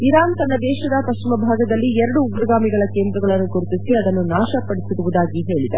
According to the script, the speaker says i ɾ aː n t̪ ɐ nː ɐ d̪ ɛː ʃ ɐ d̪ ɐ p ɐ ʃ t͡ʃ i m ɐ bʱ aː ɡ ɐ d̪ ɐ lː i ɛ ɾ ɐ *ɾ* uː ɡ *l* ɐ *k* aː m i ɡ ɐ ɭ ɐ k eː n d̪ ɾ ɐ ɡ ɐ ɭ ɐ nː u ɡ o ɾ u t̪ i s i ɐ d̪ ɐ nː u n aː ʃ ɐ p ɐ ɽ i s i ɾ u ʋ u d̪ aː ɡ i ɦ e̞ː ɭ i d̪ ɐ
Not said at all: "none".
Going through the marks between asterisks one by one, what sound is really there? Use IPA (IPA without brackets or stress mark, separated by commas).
ɽ, ɾ, ɡ